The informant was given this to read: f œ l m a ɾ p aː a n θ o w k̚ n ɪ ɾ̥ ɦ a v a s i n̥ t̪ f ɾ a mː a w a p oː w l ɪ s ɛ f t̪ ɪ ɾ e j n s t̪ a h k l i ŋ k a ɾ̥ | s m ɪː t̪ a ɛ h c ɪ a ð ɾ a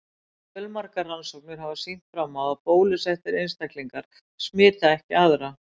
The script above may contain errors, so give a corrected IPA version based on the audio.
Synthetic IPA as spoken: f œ l m a ɾ k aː a n s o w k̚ n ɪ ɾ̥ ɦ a v a s i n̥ t̪ f ɾ a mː a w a p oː w l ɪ s ɛ f t̪ ɪ ɾ e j n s t̪ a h k l i ŋ k a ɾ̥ | s m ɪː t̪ a ɛ h c ɪ a ð ɾ a